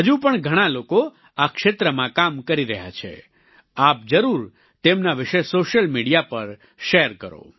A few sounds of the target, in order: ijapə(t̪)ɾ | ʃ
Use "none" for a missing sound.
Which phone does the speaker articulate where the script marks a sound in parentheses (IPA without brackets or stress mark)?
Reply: none